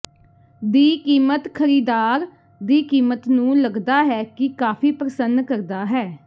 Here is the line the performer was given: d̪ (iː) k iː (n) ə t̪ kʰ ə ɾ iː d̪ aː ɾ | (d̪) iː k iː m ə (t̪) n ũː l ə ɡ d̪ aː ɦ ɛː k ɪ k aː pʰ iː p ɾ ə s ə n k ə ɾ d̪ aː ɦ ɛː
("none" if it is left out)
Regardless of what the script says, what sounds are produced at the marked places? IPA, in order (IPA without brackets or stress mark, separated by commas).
iː, m, d̪, t̪